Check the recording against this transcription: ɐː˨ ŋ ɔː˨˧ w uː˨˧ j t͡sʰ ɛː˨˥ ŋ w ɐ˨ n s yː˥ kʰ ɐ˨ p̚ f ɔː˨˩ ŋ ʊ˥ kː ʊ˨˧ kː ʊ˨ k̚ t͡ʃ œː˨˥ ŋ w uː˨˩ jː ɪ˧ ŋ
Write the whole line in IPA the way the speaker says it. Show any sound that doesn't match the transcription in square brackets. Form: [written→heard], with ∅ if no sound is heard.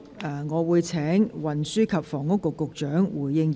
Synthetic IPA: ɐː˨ ŋ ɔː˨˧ w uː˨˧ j t͡sʰ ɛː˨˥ ŋ w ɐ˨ n s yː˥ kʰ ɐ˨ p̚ f ɔː˨˩ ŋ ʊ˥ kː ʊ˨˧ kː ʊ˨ k̚ t͡ʃ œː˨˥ ŋ w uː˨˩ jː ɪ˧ ŋ